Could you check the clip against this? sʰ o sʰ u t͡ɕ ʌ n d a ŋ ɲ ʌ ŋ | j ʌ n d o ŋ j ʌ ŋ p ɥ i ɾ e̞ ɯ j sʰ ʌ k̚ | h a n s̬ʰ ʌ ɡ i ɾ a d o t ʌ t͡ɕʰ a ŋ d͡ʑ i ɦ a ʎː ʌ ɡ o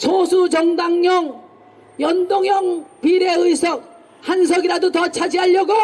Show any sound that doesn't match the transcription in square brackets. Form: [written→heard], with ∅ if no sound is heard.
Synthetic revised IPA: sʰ o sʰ u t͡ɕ ʌ [n→ŋ] d a ŋ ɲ ʌ ŋ | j ʌ n d o ŋ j ʌ ŋ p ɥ i ɾ e̞ ɯ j sʰ ʌ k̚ | h a n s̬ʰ ʌ ɡ i ɾ a d o t ʌ t͡ɕʰ a [ŋ→∅] d͡ʑ i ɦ a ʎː ʌ ɡ o